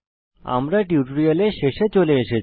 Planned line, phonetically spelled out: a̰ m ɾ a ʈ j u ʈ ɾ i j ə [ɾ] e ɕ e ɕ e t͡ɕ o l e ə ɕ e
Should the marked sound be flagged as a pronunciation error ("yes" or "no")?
yes